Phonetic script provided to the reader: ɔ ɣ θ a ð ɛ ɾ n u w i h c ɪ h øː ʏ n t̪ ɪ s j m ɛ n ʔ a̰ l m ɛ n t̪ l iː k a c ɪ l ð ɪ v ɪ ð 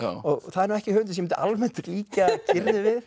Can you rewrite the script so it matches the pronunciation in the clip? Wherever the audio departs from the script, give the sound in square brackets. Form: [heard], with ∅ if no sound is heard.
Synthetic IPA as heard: ɔ ɣ θ a ð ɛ ɾ n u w [ɛ] h c ɪ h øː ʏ n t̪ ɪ s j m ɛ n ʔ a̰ l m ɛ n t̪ l iː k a c ɪ [ɾ] ð ɪ v ɪ ð